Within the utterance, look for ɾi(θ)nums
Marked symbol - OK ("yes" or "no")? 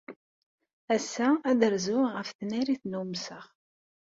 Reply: yes